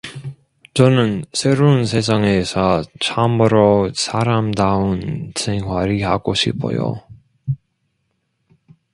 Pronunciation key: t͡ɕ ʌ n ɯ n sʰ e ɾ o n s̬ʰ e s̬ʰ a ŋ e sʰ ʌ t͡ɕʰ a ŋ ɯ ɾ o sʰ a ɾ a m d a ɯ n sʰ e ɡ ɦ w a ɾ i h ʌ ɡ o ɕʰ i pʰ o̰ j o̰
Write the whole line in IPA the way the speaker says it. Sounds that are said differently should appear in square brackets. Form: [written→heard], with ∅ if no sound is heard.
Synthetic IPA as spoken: t͡ɕ ʌ n ɯ n sʰ e ɾ o n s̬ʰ e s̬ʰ a ŋ e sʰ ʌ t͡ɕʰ a [ŋ→m] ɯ ɾ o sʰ a ɾ a m d a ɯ n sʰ e [ɡ→ŋ] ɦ w a ɾ i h [ʌ→a] ɡ o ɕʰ i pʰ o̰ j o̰